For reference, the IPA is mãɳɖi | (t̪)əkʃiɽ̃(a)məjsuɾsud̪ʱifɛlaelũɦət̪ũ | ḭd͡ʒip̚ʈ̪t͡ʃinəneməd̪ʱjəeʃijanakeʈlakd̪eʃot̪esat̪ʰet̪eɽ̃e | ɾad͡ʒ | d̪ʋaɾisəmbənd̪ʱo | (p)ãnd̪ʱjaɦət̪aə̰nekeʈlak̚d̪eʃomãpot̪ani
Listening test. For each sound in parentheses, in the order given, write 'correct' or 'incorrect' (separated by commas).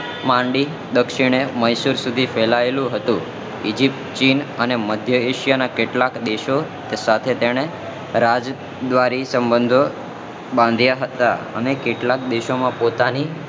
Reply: incorrect, incorrect, incorrect